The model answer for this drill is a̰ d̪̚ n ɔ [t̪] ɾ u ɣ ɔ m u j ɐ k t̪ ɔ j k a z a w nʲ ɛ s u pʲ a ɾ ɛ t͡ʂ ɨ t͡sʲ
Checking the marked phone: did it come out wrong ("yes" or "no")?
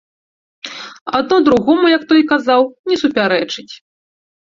yes